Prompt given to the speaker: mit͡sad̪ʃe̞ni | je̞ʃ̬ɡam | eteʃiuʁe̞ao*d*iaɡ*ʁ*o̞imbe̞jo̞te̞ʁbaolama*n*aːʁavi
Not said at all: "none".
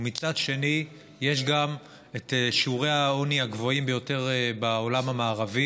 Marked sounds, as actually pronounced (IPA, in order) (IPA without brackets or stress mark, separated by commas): n, v, m